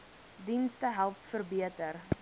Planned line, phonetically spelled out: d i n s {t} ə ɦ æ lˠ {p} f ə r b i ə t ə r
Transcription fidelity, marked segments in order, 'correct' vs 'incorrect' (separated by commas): correct, correct